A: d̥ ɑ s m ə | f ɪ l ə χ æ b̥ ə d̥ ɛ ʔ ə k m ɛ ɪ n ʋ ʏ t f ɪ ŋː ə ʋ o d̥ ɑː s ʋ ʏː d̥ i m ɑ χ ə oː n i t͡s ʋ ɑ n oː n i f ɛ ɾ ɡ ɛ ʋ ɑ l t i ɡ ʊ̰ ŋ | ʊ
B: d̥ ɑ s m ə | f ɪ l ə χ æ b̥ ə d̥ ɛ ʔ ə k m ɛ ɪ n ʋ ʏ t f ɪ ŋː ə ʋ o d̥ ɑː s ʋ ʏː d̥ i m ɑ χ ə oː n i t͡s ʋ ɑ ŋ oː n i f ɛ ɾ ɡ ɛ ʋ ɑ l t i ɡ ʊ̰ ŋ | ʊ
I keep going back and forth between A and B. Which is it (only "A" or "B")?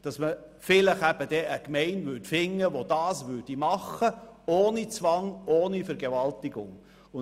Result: B